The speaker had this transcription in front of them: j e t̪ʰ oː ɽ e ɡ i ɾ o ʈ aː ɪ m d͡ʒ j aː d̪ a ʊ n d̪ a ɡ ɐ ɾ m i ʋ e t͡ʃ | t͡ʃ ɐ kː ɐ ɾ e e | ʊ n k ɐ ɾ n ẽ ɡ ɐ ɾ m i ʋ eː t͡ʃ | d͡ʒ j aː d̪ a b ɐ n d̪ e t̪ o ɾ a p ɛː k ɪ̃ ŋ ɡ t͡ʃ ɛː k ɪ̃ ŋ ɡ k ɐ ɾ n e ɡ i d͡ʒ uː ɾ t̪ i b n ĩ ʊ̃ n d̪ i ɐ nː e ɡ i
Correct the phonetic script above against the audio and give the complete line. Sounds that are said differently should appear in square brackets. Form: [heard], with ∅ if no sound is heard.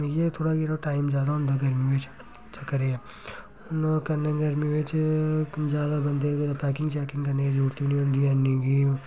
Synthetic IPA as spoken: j e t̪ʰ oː ɽ [a] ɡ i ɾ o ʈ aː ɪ m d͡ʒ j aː d̪ a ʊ n d̪ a ɡ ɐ ɾ m i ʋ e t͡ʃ | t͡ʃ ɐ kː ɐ ɾ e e | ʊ n k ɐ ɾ n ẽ ɡ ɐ ɾ m i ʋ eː t͡ʃ | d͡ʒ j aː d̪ a b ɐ n d̪ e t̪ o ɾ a p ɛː k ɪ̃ ŋ ɡ t͡ʃ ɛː k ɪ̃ ŋ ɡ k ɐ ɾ n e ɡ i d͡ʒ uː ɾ t̪ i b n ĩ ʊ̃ n d̪ i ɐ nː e ɡ i